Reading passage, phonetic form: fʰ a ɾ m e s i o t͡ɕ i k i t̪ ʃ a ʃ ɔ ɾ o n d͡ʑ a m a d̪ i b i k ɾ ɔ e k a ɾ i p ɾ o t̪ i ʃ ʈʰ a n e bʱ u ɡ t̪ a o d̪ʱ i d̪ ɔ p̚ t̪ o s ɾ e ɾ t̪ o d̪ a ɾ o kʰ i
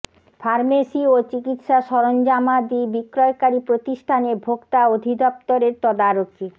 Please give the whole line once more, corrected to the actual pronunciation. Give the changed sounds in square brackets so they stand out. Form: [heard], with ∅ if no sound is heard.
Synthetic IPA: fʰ a ɾ m e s i o t͡ɕ i k i t̪ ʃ a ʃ ɔ ɾ o n d͡ʑ a m a d̪ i b i k ɾ ɔ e k a ɾ i p ɾ o t̪ i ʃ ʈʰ a n e bʱ [o] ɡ t̪ a o d̪ʱ i d̪ ɔ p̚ t̪ o [∅] ɾ e ɾ t̪ [ɔ] d̪ a ɾ o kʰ i